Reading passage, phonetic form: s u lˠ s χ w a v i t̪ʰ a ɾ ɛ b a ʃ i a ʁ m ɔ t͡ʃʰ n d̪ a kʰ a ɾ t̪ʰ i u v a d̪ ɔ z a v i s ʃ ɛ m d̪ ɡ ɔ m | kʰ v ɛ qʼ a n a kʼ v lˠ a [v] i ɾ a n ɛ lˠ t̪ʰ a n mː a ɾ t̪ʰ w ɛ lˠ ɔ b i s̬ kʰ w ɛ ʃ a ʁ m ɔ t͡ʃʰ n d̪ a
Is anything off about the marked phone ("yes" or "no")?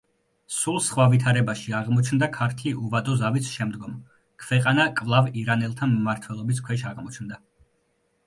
no